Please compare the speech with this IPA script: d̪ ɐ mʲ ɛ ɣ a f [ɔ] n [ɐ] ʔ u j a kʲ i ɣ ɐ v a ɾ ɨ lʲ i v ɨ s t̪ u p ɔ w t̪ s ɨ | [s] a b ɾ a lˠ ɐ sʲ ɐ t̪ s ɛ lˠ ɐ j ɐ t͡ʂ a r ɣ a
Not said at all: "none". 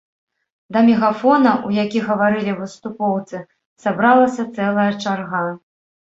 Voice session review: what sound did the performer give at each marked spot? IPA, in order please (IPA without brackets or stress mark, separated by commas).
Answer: ɔ, ɐ, s